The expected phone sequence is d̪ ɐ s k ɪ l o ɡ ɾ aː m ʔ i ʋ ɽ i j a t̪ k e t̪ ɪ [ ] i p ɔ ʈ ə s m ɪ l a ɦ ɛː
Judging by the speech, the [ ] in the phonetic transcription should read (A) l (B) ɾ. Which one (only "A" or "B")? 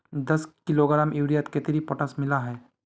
B